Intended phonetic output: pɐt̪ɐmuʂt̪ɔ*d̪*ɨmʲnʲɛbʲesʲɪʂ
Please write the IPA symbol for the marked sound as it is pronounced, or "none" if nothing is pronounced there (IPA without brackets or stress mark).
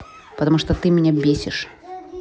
t̪